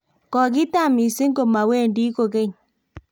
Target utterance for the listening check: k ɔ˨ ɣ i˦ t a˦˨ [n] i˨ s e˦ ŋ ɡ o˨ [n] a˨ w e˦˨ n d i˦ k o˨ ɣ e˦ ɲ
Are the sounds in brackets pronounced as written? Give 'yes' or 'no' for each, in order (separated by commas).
no, no